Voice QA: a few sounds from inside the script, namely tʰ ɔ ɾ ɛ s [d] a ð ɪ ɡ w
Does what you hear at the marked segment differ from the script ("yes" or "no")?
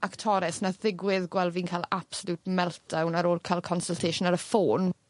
yes